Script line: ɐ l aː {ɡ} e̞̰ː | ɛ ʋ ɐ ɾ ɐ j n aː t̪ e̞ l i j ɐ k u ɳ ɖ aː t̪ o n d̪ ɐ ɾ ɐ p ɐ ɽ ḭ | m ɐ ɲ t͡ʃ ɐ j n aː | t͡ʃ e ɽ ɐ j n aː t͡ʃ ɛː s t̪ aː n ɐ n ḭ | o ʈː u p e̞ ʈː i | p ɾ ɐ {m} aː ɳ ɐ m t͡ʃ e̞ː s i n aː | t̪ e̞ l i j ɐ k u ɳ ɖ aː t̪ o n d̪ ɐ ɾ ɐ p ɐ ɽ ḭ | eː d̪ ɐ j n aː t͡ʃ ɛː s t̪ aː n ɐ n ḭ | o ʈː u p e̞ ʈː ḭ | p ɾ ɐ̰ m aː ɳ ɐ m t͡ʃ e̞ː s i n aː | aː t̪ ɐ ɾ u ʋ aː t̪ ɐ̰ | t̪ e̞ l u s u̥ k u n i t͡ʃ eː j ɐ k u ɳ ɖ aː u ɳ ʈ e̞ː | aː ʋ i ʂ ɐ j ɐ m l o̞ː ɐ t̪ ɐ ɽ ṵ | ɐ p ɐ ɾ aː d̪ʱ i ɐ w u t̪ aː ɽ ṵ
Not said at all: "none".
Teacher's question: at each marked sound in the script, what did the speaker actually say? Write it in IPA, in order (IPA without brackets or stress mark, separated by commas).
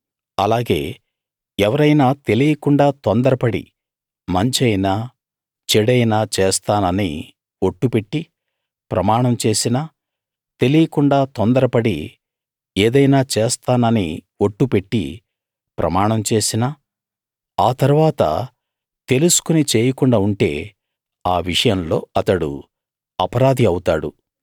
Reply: ɡ, m